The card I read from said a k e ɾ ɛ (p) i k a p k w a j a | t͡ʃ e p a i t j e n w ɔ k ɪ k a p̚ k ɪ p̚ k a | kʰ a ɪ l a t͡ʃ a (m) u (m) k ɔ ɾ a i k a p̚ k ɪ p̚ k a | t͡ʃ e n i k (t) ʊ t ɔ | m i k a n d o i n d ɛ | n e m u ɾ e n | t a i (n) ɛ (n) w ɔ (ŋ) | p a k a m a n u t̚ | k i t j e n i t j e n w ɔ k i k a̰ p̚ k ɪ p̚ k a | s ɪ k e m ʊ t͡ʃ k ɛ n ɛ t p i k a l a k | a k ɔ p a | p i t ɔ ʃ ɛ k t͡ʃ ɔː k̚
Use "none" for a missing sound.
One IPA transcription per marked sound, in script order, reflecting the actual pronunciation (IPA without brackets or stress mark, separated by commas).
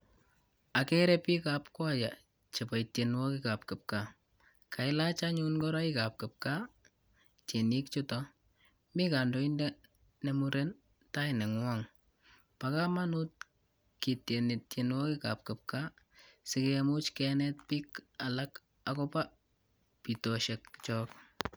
p, ɲ, n, t͡ʃ, n, ŋ, ŋ